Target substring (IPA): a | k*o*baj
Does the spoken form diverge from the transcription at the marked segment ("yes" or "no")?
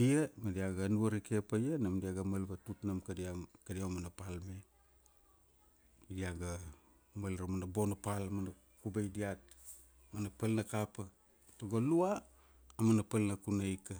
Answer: yes